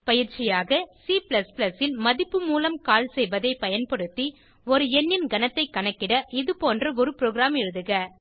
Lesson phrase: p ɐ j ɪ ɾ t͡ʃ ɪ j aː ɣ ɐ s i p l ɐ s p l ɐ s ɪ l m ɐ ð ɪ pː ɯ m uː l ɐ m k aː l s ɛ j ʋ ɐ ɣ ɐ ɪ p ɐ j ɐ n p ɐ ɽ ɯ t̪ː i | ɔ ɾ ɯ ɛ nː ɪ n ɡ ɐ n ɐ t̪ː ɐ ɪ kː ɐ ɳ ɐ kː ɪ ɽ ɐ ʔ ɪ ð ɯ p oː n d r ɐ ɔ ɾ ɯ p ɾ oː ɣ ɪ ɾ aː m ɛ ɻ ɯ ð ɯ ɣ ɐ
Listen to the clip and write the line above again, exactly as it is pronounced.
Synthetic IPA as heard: p ɐ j ɪ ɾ t͡ʃ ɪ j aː ɣ ɐ s i p l ɐ s p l ɐ s ɪ l m ɐ ð ɪ pː ɯ m uː l ɐ m k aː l s ɛ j ʋ ɐ ð ɐ ɪ p ɐ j ɐ n p ɐ ɽ ɯ t̪ː i | ɔ ɾ ɯ ɛ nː ɪ n ɡ ɐ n ɐ t̪ː ɐ ɪ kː ɐ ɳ ɐ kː ɪ ɽ ɐ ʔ ɪ ð ɯ p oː n d r ɐ ɔ ɾ ɯ p ɾ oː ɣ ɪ ɾ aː m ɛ ɻ ɯ ð ɯ ɣ ɐ